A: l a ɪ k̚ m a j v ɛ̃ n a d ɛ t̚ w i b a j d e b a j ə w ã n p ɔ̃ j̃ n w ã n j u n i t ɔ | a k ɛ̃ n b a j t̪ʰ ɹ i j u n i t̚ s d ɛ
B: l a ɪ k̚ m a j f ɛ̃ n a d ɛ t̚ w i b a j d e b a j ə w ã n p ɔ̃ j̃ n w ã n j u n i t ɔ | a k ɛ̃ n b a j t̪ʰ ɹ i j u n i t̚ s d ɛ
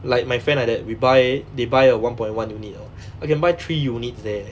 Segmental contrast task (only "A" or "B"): B